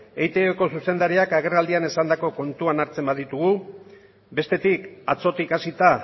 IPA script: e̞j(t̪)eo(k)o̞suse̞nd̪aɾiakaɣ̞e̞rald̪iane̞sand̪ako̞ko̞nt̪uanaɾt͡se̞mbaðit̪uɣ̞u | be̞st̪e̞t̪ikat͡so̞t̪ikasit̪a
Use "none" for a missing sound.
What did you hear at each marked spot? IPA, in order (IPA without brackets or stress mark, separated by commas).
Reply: t̪, k